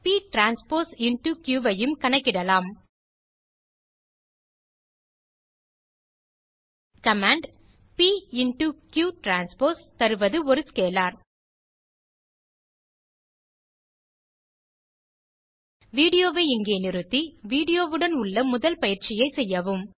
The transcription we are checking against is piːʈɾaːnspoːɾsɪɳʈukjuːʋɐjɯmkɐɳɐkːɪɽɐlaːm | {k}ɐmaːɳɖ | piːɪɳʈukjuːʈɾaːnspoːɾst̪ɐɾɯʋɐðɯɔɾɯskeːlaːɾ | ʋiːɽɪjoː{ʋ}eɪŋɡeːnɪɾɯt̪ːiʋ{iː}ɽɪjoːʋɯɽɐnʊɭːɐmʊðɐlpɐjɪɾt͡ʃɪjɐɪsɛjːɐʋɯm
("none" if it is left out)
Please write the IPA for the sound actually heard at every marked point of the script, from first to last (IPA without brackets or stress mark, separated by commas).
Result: k, ʋ, iː